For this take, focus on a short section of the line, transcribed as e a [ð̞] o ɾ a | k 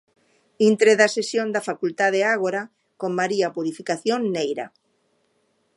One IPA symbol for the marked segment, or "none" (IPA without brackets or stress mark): ɣ̞